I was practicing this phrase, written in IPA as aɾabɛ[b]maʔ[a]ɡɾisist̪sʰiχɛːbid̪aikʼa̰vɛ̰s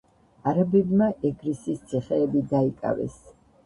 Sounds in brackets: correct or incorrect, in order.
correct, incorrect: ɛ

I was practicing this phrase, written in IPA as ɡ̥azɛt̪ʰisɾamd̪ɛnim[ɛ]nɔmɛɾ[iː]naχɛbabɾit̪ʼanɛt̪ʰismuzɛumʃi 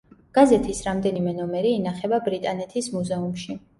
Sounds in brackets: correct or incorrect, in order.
correct, correct

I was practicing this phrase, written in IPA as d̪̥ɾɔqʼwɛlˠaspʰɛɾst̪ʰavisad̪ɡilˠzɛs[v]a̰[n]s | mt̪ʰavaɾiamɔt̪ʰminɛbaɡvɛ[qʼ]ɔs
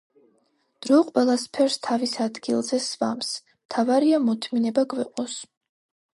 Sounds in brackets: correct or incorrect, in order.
correct, incorrect: m, correct

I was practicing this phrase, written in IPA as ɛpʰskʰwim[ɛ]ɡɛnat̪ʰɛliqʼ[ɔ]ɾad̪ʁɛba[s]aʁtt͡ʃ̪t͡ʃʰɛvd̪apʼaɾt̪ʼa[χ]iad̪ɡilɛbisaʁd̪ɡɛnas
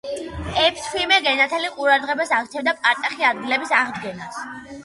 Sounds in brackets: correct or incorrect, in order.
correct, incorrect: u, correct, correct

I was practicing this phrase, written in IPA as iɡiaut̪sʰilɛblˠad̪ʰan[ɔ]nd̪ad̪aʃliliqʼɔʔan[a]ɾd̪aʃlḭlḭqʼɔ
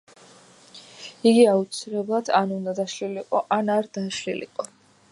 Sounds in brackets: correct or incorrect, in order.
incorrect: u, correct

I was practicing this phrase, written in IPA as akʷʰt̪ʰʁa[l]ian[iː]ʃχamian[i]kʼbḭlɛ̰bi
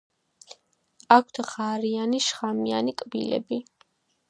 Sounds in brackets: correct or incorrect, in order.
incorrect: ɾ, incorrect: i, correct

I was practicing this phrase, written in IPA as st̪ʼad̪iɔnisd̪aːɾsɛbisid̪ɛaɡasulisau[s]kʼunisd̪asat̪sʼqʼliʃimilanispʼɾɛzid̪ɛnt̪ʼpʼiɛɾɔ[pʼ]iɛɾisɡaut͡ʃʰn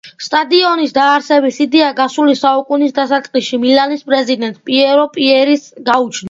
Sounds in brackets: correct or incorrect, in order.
incorrect: none, correct

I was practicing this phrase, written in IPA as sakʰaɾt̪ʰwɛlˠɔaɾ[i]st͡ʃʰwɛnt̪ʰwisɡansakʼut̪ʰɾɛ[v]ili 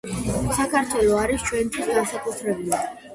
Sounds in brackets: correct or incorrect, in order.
correct, incorrect: b

